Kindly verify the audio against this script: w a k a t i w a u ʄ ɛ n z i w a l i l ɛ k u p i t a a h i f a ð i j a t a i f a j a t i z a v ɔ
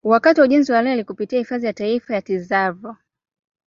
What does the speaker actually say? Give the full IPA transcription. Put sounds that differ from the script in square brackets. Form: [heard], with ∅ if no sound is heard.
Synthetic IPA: w a k a t i w a u ʄ ɛ n z i w a l [ɛ] l [i] k u p i t [i] a h i f a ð i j a t a i f a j a t i z a v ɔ